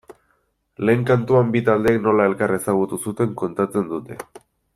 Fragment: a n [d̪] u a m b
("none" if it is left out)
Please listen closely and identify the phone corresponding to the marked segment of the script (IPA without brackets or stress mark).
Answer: t̪